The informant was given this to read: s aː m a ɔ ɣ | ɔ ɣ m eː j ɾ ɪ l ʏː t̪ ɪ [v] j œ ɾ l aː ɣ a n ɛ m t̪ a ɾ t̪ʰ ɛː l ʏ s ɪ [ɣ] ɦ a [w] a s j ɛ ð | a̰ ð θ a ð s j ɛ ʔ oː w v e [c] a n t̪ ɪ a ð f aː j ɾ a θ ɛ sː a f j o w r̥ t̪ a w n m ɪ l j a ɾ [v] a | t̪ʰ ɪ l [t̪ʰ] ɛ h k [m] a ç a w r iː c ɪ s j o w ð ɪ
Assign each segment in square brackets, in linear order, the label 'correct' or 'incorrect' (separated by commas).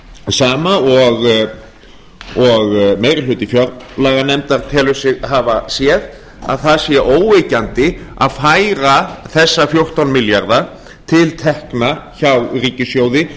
incorrect, correct, incorrect, correct, incorrect, correct, incorrect